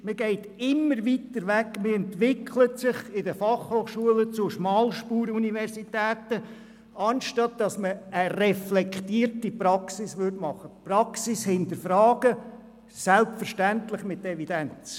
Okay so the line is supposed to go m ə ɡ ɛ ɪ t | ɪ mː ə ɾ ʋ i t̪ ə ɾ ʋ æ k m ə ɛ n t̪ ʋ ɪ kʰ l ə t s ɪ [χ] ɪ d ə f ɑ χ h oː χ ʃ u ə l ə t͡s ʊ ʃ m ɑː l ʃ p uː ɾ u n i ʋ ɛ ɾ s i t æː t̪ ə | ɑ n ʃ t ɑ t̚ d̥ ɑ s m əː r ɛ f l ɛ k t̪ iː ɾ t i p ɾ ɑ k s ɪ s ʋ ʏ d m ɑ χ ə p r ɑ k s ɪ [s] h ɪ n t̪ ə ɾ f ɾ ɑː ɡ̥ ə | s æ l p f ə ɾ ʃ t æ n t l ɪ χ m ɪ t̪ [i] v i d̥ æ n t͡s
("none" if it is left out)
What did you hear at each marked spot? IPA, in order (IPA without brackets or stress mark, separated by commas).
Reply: χ, s, ɛ